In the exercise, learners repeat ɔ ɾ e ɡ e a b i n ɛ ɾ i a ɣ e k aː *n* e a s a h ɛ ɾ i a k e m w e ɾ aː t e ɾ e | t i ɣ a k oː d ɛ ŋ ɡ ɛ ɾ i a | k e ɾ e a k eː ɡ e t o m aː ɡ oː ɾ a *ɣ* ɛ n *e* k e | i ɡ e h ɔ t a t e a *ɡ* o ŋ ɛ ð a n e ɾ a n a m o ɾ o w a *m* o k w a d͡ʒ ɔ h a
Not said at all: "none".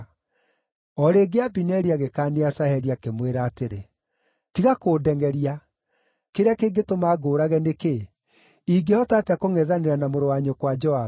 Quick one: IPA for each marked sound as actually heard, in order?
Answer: n, ɣ, e, k, ɲ

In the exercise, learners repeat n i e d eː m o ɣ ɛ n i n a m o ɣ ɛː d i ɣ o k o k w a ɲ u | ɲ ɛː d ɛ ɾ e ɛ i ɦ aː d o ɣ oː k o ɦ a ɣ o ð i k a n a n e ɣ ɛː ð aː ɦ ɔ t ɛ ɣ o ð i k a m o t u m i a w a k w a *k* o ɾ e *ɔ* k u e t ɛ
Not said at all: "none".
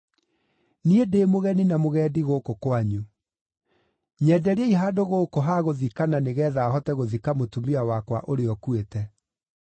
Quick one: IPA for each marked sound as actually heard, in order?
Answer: ʔ, ɔ

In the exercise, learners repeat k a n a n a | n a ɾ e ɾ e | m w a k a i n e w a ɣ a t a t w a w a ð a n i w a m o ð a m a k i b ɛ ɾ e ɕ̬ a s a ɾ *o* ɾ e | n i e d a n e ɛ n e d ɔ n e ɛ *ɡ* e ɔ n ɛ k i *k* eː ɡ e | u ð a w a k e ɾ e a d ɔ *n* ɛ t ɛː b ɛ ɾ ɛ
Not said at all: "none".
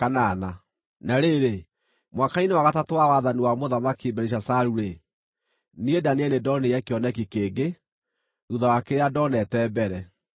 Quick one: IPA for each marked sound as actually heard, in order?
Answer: u, k, k, n

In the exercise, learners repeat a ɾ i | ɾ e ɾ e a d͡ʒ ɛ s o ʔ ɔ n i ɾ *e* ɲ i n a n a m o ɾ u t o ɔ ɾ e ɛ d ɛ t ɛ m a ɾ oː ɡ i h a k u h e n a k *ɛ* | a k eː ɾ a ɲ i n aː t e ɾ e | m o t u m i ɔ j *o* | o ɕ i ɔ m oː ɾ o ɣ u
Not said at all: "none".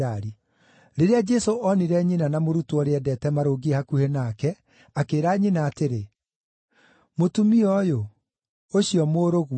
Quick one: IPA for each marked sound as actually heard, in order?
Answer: ɛ, ɛ, o

